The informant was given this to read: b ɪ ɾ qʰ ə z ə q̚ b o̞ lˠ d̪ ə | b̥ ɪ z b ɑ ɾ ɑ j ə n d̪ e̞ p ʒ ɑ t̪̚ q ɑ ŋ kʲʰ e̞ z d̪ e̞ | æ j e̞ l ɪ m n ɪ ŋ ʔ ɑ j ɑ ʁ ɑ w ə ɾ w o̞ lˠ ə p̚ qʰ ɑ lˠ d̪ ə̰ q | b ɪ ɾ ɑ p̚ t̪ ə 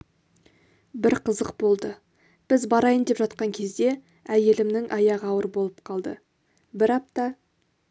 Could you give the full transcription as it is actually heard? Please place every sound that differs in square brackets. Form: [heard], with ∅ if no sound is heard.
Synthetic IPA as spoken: b ɪ ɾ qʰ ə z ə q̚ b o̞ lˠ d̪ ə | b̥ ɪ z b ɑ ɾ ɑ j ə n d̪ e̞ p ʒ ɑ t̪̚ q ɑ ŋ kʲʰ e̞ z d̪ e̞ | æ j e̞ l ɪ m n ɪ ŋ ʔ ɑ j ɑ ʁ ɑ w ə ɾ [b] o̞ lˠ ə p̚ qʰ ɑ lˠ d̪ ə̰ [∅] | b ɪ ɾ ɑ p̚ t̪ [ɑ]

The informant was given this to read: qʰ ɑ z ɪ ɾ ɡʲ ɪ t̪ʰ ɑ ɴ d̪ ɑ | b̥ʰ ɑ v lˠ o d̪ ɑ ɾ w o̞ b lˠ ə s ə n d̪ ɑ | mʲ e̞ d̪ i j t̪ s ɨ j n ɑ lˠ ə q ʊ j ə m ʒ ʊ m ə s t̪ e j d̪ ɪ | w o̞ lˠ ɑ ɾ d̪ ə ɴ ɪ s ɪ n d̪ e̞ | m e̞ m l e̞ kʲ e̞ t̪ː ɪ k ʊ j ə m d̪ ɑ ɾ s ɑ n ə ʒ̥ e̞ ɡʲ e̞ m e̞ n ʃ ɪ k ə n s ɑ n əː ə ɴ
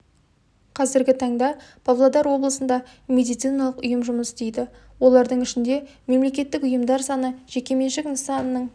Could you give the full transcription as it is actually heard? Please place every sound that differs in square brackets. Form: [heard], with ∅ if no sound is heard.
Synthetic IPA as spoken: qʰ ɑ z ɪ ɾ ɡʲ ɪ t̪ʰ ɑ ɴ d̪ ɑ | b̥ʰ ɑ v lˠ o d̪ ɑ ɾ w o̞ b lˠ ə s ə n d̪ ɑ | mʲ e̞ d̪ i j t̪ s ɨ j n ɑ lˠ ə q ʊ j ə m ʒ ʊ m ə s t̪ e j d̪ ɪ | w o̞ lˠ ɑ ɾ d̪ ə ɴ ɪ [ʃ] ɪ n d̪ e̞ | m e̞ m l e̞ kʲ e̞ t̪ː ɪ k ʊ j ə m d̪ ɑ ɾ s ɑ n ə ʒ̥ e̞ [kʲ] e̞ m e̞ n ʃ ɪ k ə n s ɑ n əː ə ɴ

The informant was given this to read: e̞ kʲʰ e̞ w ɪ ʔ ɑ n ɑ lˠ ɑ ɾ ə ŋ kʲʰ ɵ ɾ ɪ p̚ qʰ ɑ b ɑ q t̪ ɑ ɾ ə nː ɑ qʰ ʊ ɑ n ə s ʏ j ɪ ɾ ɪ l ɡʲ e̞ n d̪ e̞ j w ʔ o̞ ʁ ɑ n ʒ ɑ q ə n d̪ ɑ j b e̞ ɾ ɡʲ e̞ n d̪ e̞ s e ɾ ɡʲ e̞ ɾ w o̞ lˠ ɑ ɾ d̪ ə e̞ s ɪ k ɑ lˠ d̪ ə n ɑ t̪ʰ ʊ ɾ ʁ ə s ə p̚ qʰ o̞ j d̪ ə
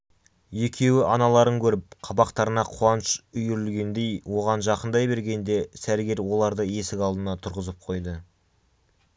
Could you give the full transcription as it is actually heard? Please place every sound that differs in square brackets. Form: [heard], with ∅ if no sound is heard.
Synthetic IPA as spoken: e̞ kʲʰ e̞ w ɪ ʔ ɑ n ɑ lˠ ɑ ɾ ə ŋ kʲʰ ɵ ɾ ɪ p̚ qʰ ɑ b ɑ q t̪ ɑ ɾ ə [n] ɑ qʰ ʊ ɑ n ə [ʃ] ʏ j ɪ ɾ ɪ l ɡʲ e̞ n d̪ e̞ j w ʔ o̞ ʁ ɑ n ʒ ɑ q ə n d̪ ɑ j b e̞ ɾ ɡʲ e̞ n d̪ e̞ s [æ] ɾ ɡʲ e̞ ɾ w o̞ lˠ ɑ ɾ d̪ ə e̞ s ɪ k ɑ lˠ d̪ ə n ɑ t̪ʰ ʊ ɾ ʁ ə [z] ə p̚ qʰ o̞ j d̪ ə

